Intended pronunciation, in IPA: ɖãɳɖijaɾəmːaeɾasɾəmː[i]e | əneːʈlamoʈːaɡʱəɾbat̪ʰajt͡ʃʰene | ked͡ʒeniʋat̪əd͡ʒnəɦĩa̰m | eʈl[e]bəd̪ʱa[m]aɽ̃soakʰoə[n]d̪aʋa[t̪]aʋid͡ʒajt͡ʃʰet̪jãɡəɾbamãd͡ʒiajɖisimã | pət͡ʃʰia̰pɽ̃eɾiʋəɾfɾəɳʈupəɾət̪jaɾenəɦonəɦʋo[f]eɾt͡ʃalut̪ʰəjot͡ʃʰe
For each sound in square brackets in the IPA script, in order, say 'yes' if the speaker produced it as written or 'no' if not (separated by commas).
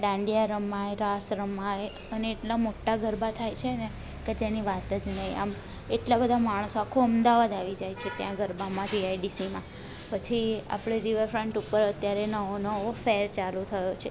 no, no, yes, no, no, yes